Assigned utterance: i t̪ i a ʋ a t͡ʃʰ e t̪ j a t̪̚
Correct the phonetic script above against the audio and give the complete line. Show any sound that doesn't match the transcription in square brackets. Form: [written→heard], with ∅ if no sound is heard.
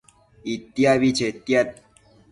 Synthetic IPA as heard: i t̪ [i→j] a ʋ [a→i] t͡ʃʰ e t̪ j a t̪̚